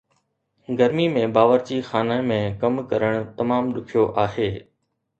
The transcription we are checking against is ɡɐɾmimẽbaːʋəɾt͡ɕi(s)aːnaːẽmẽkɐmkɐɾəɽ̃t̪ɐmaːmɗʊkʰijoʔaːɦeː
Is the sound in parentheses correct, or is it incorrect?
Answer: incorrect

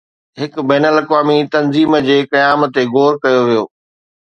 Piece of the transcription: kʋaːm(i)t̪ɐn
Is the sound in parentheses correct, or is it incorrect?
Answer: correct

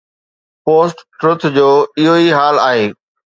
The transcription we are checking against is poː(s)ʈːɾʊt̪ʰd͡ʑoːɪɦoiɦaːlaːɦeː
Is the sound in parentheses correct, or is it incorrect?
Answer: correct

